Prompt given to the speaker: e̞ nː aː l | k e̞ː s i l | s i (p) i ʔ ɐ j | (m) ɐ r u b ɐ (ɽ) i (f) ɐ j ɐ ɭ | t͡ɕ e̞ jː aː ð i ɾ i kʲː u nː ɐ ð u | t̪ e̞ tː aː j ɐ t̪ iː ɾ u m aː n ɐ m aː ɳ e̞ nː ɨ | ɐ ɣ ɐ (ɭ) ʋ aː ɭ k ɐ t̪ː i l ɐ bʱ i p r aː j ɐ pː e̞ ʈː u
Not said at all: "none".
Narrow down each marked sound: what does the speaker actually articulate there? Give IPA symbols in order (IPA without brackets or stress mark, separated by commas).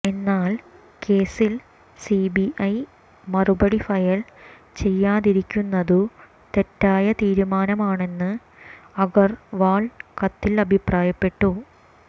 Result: b, m, ɽ, f, r